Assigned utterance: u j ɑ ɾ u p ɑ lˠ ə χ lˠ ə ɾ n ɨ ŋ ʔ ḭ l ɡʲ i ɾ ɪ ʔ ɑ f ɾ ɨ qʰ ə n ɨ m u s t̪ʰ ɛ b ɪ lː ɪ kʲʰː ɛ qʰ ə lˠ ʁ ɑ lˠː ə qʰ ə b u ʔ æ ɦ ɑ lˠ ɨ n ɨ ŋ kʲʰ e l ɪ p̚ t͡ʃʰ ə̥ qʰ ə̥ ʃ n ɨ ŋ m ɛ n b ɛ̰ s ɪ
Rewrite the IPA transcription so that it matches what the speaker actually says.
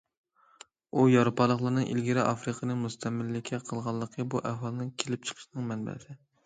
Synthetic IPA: u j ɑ ɾ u p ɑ lˠ ə χ lˠ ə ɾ n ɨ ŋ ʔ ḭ l ɡʲ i ɾ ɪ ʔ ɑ f ɾ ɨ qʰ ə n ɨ m u s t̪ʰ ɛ m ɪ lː ɪ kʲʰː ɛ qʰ ə lˠ ʁ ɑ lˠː ə qʰ ə b u ʔ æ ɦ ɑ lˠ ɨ n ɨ ŋ kʲʰ e l ɪ p̚ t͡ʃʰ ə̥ qʰ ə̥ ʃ n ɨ ŋ m ɛ n b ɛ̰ s ɪ